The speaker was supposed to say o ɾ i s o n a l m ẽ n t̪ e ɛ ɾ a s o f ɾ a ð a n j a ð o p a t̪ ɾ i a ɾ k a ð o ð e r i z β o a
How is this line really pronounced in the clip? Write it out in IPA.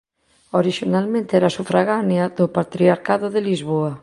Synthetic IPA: o ɾ i ʃ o n a l m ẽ n t̪ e ɛ ɾ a s u f ɾ a ɣ a n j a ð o p a t̪ ɾ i a ɾ k a ð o ð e l i z β o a